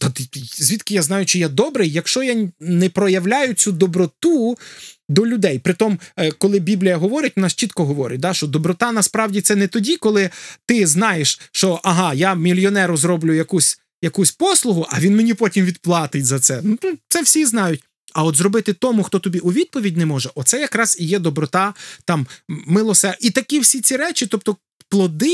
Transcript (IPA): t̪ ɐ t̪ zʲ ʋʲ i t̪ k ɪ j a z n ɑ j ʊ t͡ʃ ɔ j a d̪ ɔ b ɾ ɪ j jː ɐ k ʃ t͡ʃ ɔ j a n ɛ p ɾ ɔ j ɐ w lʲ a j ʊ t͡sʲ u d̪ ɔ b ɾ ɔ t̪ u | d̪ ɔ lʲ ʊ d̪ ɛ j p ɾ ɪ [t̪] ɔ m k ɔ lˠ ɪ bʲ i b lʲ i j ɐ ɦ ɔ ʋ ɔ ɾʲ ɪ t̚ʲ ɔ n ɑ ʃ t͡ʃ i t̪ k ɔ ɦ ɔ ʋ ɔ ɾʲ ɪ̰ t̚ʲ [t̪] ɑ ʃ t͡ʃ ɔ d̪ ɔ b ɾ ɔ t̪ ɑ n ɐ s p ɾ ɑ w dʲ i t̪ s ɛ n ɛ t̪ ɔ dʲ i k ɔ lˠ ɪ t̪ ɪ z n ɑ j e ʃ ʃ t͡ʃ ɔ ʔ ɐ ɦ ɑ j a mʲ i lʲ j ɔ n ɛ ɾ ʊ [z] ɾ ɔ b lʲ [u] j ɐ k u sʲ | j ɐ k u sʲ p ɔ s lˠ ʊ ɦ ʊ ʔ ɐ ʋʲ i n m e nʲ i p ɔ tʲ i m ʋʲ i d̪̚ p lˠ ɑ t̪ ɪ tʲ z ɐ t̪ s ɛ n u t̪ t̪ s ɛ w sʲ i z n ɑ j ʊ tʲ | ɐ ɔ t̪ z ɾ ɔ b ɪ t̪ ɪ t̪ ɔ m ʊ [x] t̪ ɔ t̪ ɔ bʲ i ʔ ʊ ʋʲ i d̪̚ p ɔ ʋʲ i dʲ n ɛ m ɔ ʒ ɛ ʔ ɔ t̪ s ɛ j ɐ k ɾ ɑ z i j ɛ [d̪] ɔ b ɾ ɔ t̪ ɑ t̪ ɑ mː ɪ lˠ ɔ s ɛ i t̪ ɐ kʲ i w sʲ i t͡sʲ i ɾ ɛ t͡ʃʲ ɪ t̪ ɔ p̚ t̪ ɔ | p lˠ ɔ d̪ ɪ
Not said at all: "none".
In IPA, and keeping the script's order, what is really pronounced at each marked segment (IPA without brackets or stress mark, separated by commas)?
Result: t̪, d̪, z, ʊ, x, d̪